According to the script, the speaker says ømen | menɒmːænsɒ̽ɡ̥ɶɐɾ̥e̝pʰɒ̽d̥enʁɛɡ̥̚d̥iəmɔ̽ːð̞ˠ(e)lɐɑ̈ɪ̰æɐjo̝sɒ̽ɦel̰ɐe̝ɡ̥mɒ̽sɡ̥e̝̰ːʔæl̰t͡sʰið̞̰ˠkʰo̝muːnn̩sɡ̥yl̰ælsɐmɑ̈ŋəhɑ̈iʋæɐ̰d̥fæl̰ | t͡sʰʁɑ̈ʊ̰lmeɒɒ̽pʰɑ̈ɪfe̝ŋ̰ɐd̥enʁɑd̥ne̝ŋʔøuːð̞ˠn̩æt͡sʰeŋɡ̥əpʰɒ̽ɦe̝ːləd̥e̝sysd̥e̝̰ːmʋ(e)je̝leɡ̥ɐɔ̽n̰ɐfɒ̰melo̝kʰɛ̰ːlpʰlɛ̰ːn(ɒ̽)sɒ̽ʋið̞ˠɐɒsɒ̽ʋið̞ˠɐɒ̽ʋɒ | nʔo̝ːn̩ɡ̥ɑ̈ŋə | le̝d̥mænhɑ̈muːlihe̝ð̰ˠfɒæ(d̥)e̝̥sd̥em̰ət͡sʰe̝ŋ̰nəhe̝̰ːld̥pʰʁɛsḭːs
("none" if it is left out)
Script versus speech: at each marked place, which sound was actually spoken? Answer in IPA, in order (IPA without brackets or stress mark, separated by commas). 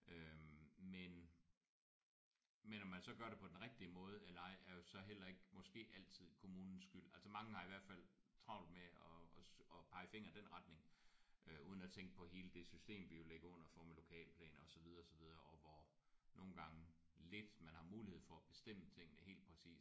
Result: e, i, ɒ̽, b̥